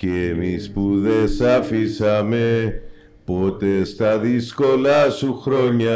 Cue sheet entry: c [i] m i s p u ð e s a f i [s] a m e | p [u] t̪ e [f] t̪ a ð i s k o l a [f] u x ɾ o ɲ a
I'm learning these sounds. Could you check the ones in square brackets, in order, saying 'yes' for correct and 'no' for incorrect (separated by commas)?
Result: no, yes, no, no, no